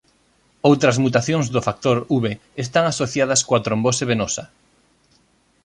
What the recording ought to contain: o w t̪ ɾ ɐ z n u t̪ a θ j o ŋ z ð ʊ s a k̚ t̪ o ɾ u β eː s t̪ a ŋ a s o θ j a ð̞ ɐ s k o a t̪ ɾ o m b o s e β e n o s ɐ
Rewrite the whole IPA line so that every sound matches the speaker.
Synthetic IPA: o w t̪ ɾ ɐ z m u t̪ a θ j o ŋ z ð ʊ f a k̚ t̪ o ɾ u β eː s t̪ a ŋ a s o θ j a ð̞ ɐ s k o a t̪ ɾ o m b o s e β e n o s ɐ

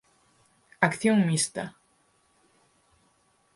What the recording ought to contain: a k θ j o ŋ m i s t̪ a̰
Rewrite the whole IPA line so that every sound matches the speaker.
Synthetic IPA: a k θ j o ŋ m i s t̪ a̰

